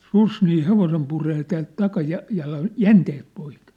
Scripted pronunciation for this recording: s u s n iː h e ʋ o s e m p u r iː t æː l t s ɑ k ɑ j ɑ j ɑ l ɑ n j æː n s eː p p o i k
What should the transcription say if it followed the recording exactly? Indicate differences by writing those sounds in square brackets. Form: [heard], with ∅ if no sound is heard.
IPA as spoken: s u s n iː h e ʋ o s e m p u r [eː] t æː l t [t] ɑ k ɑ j ɑ j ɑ l ɑ n j [æ] n [t] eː [t] p o i k